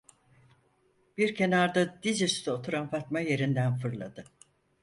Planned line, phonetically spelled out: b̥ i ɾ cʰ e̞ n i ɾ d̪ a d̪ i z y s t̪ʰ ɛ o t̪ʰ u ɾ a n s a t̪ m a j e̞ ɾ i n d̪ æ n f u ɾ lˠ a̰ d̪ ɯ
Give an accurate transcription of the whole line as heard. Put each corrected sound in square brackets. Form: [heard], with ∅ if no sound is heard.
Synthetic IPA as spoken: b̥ i ɾ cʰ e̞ n [a] ɾ d̪ a d̪ i z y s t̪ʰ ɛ o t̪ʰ u ɾ a n [f] a t̪ m a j e̞ ɾ i n d̪ æ n f [ɯ] ɾ lˠ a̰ d̪ ɯ